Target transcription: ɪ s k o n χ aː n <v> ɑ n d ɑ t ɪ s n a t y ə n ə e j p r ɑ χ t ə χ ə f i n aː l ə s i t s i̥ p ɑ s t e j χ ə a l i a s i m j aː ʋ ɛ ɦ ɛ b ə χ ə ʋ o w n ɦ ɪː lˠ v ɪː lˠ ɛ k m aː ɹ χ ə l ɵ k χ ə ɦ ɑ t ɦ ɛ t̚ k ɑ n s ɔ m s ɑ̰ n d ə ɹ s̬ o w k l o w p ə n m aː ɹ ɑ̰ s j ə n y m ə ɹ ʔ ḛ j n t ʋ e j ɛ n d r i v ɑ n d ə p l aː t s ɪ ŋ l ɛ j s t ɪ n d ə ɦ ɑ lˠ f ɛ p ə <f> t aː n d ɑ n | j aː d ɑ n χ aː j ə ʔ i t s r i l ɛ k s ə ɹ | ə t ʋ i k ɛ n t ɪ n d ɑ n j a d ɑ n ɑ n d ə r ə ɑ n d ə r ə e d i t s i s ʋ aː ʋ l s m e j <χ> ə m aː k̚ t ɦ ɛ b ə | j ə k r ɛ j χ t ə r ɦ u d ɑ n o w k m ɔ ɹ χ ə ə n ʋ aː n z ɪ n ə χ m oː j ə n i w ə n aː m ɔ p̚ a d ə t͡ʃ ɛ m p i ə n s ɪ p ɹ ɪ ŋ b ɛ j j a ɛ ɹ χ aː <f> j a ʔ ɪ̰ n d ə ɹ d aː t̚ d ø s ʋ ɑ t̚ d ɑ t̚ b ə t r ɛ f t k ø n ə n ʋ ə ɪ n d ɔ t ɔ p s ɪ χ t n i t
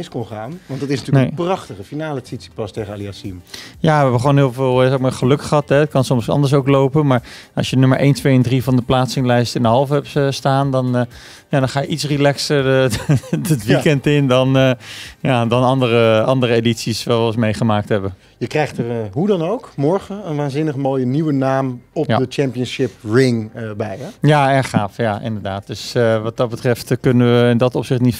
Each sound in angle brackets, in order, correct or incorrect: incorrect: ʋ, incorrect: s, correct, correct

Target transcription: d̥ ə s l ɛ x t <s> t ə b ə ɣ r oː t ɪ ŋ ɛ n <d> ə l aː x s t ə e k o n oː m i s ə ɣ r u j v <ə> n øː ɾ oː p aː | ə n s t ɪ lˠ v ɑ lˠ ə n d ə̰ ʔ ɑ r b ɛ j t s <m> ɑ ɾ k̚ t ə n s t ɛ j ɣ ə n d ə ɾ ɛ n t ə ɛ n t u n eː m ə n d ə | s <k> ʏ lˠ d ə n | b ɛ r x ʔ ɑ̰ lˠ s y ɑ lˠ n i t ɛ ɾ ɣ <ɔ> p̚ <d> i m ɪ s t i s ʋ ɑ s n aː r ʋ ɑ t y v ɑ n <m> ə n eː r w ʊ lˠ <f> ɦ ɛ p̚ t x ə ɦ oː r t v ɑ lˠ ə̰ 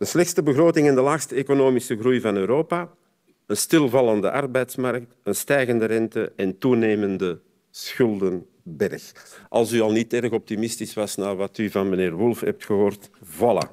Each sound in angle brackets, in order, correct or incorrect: correct, correct, incorrect: ɑ, correct, incorrect: x, correct, incorrect: t, correct, correct

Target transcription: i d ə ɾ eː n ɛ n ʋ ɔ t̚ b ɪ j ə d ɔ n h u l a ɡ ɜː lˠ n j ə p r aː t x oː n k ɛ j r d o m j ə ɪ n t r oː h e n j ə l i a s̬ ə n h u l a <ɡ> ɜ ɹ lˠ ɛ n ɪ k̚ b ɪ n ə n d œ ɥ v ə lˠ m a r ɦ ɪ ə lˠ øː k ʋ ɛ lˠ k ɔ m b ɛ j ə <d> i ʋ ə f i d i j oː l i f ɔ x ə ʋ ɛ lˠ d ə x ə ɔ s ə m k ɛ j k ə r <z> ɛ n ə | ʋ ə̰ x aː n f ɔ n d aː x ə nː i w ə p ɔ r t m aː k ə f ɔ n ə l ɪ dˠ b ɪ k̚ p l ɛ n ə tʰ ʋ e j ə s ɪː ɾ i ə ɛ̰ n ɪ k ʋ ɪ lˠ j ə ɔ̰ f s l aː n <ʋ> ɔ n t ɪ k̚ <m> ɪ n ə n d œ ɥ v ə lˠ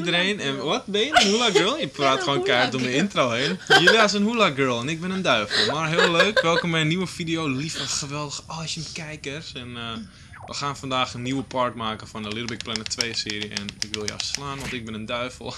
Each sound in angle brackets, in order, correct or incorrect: correct, incorrect: n, incorrect: s, correct, incorrect: b

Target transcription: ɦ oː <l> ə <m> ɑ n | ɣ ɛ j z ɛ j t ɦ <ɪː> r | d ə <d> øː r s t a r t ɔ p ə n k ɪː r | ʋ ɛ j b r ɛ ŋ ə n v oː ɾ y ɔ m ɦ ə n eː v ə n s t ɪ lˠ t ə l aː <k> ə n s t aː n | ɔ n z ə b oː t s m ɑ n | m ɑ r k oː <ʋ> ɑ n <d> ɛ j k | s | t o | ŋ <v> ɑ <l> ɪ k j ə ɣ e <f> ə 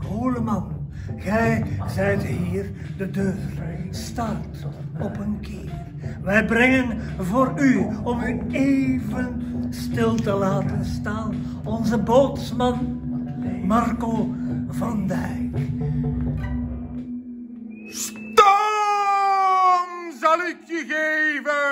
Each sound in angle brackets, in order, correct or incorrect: correct, correct, incorrect: iː, correct, incorrect: t, incorrect: v, correct, incorrect: z, correct, incorrect: v

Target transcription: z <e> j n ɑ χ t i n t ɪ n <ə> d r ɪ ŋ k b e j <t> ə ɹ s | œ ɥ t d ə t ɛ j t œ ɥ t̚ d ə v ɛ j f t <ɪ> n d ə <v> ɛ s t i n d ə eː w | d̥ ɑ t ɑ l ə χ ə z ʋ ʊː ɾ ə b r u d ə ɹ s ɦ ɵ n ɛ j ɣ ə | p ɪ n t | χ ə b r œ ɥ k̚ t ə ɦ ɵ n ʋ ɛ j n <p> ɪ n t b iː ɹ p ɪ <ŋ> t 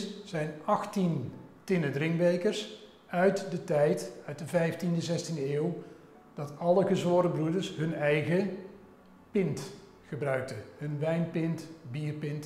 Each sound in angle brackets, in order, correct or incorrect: incorrect: ɛ, correct, incorrect: k, incorrect: i, incorrect: z, correct, incorrect: n

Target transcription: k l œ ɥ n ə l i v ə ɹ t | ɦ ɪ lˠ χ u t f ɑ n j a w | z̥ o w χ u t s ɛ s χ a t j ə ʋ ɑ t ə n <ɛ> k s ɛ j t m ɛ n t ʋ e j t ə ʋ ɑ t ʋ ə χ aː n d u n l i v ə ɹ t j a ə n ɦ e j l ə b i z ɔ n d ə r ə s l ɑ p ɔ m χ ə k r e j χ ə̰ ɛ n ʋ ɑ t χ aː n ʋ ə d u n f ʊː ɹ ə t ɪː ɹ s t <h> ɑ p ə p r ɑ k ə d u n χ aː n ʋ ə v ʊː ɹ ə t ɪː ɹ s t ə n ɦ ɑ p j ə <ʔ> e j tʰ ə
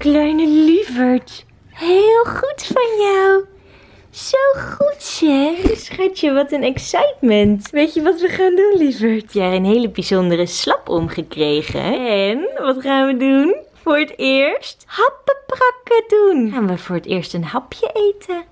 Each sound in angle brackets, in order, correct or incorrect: correct, correct, correct

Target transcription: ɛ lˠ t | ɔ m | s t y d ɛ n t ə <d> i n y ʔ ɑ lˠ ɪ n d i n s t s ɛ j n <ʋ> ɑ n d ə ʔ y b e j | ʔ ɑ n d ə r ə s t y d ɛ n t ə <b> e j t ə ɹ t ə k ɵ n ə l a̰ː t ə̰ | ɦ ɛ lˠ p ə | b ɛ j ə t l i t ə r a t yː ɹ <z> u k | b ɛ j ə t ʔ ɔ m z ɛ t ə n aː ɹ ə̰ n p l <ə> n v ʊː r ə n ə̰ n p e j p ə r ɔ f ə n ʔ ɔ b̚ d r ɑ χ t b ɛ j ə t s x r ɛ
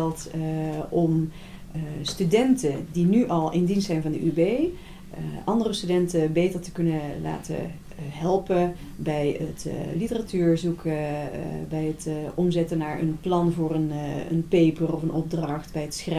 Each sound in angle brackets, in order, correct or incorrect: correct, incorrect: v, correct, correct, incorrect: ɑ

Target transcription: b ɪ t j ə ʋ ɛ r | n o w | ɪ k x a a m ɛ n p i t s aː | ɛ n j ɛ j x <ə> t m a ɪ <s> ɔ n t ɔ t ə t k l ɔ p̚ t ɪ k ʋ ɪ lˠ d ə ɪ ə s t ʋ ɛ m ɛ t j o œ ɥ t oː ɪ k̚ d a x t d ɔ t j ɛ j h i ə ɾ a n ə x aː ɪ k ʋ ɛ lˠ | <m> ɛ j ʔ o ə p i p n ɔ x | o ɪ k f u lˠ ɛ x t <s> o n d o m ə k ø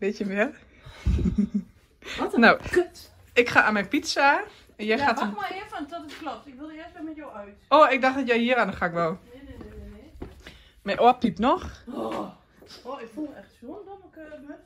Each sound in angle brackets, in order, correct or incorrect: incorrect: a, incorrect: f, correct, correct

